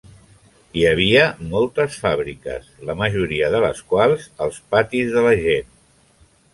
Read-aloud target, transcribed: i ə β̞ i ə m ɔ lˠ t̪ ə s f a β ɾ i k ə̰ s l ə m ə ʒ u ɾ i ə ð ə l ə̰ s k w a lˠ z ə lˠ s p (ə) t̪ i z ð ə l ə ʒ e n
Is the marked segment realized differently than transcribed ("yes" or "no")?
yes